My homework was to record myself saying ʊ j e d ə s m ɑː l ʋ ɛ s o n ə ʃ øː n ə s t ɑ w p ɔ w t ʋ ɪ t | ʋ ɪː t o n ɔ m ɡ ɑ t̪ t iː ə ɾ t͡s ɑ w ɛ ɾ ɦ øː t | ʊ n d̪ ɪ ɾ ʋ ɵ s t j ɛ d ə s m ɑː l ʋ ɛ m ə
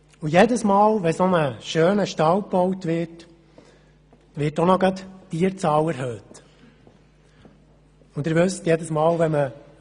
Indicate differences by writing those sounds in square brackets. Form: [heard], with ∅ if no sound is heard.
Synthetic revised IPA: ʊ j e d ə s m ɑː l ʋ ɛ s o n ə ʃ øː n ə [ʃ] t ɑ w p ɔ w t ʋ ɪ t | ʋ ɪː t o n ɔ [∅] ɡ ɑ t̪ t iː ə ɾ t͡s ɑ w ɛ ɾ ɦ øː t | ʊ n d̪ ɪ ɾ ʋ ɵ s t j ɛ d ə s m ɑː l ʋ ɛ m ə